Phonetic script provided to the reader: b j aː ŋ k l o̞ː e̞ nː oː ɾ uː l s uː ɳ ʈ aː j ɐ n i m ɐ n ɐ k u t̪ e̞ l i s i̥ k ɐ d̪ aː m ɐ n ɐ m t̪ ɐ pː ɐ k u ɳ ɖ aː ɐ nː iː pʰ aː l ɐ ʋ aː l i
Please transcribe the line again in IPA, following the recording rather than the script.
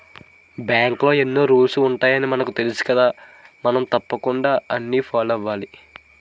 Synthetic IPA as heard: b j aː ŋ k l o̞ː e̞ nː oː ɾ uː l s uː ɳ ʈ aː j ɐ n i m ɐ n ɐ k u t̪ e̞ l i s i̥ k ɐ d̪ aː m ɐ n ɐ m t̪ ɐ pː ɐ k u ɳ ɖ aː ɐ nː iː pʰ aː l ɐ ʋ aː l i